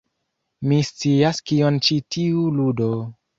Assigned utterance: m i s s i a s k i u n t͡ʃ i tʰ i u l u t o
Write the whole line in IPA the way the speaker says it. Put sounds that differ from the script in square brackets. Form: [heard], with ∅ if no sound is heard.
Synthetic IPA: m i s [t͡s] i a s k i [o] n t͡ʃ i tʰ i u l u [d] o